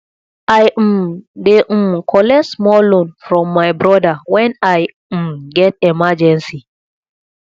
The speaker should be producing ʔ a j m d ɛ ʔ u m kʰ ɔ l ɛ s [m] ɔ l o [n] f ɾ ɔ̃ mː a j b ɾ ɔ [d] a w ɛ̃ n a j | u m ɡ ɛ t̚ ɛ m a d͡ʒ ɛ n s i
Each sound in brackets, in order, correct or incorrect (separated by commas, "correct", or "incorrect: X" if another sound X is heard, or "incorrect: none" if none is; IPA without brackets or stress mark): correct, correct, correct